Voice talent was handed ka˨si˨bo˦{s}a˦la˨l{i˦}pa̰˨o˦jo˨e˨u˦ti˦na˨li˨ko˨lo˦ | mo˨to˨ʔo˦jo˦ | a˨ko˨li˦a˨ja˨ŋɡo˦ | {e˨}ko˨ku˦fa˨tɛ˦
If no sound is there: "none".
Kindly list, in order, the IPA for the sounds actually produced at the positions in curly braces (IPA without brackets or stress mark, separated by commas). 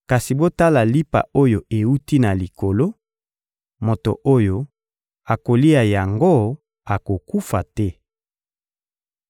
t, i˦, a˨